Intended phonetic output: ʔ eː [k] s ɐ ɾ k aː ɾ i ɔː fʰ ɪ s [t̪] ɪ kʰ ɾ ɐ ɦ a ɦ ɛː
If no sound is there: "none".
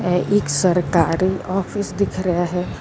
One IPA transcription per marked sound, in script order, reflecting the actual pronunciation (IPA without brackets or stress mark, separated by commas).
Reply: k, d̪